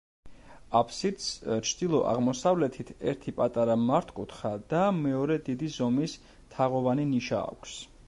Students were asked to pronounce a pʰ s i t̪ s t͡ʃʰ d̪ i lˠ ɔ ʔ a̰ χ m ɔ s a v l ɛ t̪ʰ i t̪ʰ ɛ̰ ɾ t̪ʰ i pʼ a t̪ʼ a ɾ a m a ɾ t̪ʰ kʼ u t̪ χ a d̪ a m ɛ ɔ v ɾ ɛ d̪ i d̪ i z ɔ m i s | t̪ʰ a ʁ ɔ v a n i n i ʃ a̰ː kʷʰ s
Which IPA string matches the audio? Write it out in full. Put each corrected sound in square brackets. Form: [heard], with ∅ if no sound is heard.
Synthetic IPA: a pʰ s i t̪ s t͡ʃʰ d̪ i lˠ ɔ ʔ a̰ [ʁ] m ɔ s a v l ɛ t̪ʰ i t̪ʰ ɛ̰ ɾ t̪ʰ i pʼ a t̪ʼ a ɾ a m a ɾ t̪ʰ kʼ u t̪ χ a d̪ a m ɛ ɔ [∅] ɾ ɛ d̪ i d̪ i z ɔ m i s | t̪ʰ a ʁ ɔ v a n i n i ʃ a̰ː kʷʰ s